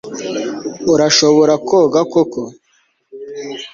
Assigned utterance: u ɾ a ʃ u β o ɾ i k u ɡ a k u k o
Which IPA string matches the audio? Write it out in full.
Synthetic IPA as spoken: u ɾ a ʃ o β o ɾ a k o ɡ a k o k o

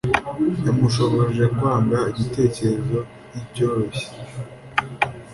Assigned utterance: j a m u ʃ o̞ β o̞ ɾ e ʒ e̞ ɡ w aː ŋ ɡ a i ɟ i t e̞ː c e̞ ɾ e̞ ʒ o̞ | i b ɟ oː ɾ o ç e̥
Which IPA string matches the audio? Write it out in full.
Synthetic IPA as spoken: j a m u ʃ o̞ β o̞ ɾ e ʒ e̞ k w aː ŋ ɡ a i ɟ i t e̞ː c e̞ ɾ e̞ z o̞ | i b ɟ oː ɾ o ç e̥

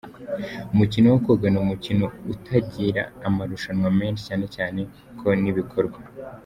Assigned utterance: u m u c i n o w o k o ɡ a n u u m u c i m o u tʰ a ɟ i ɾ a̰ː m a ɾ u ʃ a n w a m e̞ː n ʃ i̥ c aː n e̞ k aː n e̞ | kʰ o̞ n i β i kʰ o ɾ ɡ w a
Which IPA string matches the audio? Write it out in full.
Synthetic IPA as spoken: u m u c i n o w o k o ɡ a n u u m u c i n o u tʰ a ɟ i ɾ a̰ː m a ɾ u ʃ a n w a m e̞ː n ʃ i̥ c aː n e̞ c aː n e̞ | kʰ o̞ n i β i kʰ o ɾ ɡ w a

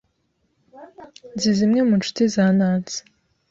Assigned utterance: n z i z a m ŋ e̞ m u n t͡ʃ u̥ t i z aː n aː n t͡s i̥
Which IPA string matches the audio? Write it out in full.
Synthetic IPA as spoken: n z i z i m ŋ e̞ m u n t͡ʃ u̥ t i z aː n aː n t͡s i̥

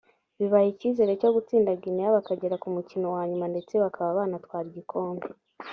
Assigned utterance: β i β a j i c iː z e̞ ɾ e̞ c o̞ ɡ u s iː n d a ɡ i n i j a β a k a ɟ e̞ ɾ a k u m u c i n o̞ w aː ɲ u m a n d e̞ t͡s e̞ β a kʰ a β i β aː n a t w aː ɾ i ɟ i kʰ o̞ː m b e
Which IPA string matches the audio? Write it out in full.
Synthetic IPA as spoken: β i β a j i c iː z e̞ ɾ e̞ c o̞ ɡ u t͡s iː n d a ɡ i n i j a β a k a ɟ e̞ ɾ a k u m u c i n o̞ w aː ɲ u m a n d e̞ t͡s e̞ β a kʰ a β a β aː n a t w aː ɾ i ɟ i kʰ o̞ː m b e

